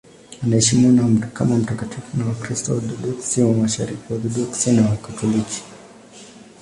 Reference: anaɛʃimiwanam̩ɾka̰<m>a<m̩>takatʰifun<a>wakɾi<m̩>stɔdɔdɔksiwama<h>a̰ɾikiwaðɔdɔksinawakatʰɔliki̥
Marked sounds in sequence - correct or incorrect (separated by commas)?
correct, correct, correct, incorrect, incorrect